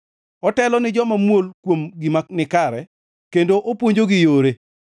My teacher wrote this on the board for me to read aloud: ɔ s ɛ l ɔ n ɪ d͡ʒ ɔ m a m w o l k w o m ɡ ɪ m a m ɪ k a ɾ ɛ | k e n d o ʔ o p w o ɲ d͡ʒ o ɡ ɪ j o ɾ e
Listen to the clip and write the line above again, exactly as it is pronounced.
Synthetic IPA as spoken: ɔ t ɛ l ɔ n ɪ d͡ʒ ɔ m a m w o l k w o m ɡ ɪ m a n ɪ k a ɾ ɛ | k e n d o ʔ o p w o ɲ d͡ʒ o ɡ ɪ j o ɾ e